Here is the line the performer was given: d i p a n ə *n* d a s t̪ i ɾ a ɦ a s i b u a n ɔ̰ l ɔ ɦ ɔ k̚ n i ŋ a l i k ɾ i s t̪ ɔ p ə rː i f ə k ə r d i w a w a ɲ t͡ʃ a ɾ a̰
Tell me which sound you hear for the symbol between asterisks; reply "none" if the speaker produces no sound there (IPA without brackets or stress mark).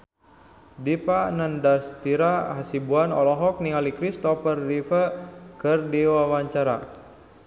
n